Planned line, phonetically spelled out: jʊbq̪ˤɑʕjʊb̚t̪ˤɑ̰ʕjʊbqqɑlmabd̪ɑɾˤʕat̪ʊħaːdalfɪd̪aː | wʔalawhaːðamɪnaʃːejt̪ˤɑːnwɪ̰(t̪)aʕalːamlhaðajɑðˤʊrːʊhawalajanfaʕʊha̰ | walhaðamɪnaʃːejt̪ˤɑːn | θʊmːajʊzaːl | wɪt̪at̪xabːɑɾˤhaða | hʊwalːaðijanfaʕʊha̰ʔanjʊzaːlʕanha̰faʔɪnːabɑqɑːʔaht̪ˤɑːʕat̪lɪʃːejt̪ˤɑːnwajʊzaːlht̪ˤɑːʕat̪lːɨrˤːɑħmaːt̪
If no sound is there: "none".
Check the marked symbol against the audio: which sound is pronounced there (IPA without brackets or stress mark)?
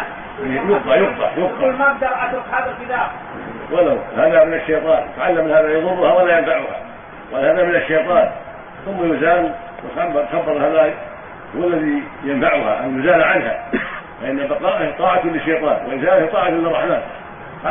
t̪